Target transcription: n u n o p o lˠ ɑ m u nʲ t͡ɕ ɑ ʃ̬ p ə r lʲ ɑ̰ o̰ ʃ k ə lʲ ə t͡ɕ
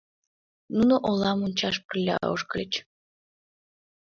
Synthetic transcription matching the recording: n u n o ʔ o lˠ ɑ m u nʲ t͡ɕ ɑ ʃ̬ p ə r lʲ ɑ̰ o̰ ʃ k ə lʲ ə t͡ɕ

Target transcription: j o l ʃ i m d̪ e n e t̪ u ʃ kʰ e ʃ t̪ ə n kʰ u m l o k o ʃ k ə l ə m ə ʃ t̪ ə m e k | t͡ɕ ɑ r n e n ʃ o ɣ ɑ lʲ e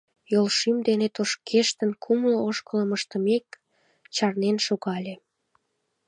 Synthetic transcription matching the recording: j o l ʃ i m d̪ e n e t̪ o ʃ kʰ e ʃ t̪ ə n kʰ u m l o o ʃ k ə l ə m ə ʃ t̪ ə m e k | t͡ɕ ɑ r n e n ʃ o ɣ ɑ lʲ e

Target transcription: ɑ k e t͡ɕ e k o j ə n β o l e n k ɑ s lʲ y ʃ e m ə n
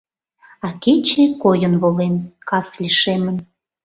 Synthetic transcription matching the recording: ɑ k e t͡ɕ e k o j ə n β o l e n k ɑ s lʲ i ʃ e m ə n

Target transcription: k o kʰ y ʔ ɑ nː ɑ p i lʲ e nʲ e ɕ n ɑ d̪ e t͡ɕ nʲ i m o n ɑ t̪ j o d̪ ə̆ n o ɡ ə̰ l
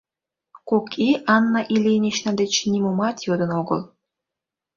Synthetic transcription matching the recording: k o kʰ i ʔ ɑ nː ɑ ʔ i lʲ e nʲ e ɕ n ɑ d̪ e t͡ɕ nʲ i m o m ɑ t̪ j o d̪ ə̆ n o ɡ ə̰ l

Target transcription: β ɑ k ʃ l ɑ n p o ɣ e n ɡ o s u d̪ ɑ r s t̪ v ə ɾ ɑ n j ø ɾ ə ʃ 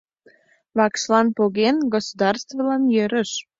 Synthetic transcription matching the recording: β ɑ k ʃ l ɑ n p o ɣ e n ɡ o s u d̪ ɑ r s t̪ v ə l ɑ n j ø ɾ ə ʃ

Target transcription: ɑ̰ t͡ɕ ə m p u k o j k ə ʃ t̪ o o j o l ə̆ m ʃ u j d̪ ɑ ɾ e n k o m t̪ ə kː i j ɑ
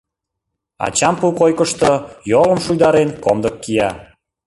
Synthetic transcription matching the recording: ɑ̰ t͡ɕ ɑ m p u k o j k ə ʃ t̪ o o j o l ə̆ m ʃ u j d̪ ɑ ɾ e n k o m d̪ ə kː i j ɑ

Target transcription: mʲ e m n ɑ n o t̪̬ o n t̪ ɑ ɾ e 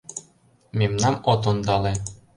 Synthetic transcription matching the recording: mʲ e m n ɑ m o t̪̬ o n d̪ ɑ l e

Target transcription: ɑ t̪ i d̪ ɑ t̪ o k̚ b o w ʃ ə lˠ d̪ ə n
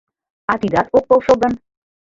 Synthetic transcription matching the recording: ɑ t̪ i d̪ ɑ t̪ o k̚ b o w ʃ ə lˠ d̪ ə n

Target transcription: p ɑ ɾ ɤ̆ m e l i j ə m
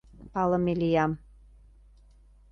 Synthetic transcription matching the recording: p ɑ l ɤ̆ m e l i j ɑ m

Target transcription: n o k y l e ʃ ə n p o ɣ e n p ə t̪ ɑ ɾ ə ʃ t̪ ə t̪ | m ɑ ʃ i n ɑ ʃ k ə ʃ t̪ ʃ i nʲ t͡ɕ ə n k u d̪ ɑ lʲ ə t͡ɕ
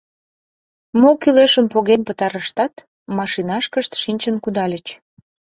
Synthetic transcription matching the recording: m o k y l e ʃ ə m p o ɣ e n p ə t̪ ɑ ɾ ə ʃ t̪ ɑ t̪ | m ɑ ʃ i n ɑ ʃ k ə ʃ t̪ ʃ i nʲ t͡ɕ ə n k u d̪ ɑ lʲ ə t͡ɕ

